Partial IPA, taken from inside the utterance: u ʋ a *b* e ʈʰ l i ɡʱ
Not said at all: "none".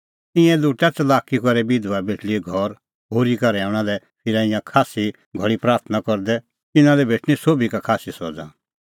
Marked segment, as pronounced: b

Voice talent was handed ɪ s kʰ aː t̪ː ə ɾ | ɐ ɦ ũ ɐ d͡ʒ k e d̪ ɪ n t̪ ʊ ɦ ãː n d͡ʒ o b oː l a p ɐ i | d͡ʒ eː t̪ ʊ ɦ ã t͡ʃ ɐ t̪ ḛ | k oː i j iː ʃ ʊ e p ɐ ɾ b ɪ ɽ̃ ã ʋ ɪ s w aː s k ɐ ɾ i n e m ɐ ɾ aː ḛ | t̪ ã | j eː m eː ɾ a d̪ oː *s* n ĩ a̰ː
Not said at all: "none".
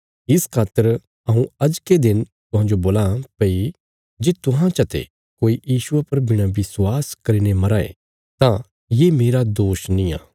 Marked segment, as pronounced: ʃ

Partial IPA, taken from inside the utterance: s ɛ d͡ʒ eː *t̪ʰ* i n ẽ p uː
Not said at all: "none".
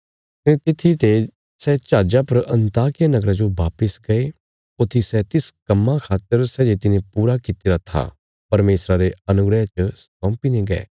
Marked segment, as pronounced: t̪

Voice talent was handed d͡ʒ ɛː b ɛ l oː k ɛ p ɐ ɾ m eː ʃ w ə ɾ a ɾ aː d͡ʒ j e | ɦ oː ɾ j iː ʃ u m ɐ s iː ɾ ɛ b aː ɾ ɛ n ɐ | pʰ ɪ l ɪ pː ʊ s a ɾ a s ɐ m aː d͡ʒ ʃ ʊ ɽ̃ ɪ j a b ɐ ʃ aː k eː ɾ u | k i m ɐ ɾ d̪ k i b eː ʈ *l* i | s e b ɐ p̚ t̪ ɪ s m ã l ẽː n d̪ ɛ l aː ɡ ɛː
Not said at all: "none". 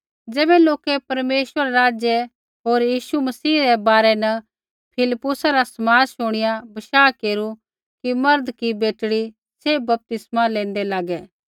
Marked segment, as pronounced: ɽ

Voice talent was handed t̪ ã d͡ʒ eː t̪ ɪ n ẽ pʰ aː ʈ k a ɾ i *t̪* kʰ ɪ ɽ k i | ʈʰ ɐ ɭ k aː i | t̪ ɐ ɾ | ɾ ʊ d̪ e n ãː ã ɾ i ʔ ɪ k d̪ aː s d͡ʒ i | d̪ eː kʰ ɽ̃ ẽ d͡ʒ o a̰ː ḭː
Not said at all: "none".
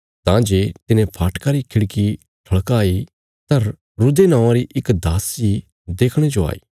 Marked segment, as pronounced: none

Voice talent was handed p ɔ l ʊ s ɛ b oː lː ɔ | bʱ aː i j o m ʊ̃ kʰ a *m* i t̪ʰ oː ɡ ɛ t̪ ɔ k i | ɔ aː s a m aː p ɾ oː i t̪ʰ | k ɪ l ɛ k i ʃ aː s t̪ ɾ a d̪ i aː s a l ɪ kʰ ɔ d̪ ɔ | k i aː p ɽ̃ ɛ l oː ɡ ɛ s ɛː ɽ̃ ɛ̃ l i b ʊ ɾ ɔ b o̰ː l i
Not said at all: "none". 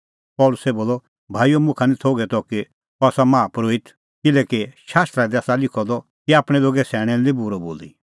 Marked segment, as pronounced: n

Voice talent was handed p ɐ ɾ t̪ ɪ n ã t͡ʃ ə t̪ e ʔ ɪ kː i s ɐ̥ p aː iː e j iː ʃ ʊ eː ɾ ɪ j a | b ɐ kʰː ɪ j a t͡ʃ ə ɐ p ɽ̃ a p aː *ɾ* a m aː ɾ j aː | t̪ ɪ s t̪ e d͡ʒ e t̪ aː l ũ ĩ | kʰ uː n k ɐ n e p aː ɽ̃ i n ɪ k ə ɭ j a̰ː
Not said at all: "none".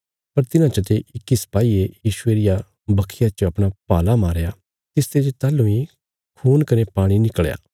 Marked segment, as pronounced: l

